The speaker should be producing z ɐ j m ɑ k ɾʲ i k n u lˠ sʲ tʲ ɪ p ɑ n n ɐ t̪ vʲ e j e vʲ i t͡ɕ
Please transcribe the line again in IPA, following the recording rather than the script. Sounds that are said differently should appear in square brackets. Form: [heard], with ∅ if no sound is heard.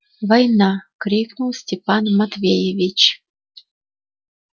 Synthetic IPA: [v] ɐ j [n] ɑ k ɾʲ i k n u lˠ sʲ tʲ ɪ p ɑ n [m] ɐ t̪ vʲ e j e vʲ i t͡ɕ